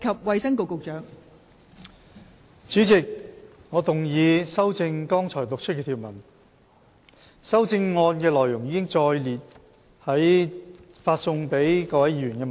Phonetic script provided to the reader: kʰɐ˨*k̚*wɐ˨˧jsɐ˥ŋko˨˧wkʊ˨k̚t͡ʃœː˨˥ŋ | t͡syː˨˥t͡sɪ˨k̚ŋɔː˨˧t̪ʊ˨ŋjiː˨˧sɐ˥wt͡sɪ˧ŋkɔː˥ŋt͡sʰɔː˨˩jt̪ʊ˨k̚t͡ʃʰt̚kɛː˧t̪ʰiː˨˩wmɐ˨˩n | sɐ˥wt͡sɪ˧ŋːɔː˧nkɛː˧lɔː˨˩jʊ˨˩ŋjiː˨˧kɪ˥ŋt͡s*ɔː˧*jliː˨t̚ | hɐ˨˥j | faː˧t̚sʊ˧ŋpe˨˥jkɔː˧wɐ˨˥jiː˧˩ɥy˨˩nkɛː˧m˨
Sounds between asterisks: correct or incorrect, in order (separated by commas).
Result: incorrect, correct